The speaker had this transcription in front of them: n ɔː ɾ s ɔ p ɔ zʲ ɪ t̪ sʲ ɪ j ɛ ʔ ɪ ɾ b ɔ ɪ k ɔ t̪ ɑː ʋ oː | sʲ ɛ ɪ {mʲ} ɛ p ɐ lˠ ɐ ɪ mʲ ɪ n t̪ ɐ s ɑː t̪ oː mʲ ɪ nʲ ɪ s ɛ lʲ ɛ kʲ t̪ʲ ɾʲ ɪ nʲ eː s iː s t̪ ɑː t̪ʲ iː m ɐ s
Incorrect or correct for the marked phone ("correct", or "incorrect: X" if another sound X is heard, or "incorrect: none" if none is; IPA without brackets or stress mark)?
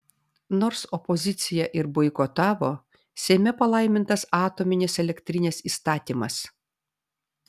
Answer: correct